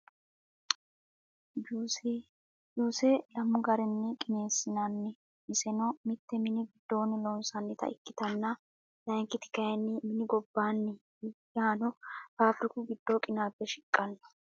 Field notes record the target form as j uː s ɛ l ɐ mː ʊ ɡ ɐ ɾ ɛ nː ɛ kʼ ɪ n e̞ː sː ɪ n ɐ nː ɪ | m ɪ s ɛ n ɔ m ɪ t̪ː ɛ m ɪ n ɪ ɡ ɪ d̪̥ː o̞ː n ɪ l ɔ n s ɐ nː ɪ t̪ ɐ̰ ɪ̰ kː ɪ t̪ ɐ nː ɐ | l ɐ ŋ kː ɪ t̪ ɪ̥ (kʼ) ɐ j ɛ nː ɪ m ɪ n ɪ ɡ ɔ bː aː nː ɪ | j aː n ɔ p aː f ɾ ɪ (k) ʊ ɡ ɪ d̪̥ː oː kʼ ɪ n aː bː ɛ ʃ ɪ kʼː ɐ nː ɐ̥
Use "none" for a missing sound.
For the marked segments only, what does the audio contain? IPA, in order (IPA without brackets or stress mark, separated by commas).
k, k